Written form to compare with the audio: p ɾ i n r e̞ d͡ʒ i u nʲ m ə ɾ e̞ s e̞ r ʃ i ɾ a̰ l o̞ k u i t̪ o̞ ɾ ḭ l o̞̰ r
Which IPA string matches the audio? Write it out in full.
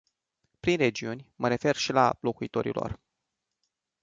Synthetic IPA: p ɾ i n r e̞ d͡ʒ i u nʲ m ə ɾ e̞ f e̞ r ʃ i l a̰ l o̞ k u i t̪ o̞ ɾ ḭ l o̞̰ r